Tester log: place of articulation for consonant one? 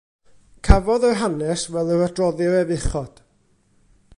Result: velar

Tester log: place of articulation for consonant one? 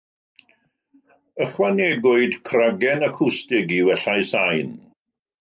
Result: uvular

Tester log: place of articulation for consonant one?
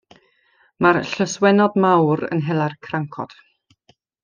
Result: labial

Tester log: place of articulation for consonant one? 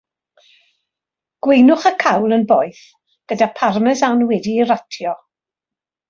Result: velar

